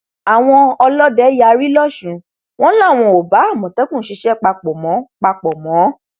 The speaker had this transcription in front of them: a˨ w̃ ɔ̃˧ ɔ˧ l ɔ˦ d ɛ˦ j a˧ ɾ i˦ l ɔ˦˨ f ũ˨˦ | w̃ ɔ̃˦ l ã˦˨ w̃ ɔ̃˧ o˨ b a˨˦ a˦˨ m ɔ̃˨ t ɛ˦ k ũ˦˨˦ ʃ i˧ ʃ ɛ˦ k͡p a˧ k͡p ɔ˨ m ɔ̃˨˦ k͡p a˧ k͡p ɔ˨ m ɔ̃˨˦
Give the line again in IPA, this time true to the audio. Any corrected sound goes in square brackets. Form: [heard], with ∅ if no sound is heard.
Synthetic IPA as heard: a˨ w̃ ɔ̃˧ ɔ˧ l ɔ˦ d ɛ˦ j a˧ ɾ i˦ l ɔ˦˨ [ʃ] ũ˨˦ | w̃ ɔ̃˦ l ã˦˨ w̃ ɔ̃˧ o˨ b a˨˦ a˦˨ m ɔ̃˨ t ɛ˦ k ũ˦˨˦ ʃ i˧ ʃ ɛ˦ k͡p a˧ k͡p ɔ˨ m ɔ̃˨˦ k͡p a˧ k͡p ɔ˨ m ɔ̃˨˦